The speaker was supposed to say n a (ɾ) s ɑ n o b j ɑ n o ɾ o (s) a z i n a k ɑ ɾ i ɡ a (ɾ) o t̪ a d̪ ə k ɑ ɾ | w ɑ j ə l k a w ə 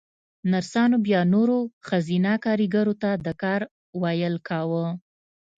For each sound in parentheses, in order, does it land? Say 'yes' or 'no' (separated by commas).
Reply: yes, no, yes